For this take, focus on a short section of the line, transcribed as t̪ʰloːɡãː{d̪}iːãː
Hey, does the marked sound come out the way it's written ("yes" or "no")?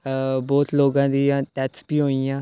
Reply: yes